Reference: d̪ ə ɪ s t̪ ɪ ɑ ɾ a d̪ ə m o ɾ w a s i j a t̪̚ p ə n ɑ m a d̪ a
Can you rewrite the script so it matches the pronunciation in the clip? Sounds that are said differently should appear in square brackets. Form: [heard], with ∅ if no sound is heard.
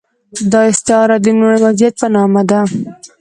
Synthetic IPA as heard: d̪ [ɑ] ɪ s t̪ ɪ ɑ ɾ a d̪ ə [n] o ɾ w a [z] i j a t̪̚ p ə n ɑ m a d̪ a